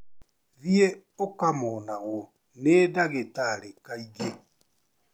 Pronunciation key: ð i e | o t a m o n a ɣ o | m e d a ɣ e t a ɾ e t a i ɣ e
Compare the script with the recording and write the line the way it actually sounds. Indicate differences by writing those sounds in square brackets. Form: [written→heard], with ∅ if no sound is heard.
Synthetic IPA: ð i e | o [t→k] a m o n a ɣ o | [m→n] e d a ɣ e t a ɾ e [t→k] a i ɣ e